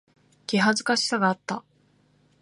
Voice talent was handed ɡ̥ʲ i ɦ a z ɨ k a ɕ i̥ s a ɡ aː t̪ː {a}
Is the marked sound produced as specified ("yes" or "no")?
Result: yes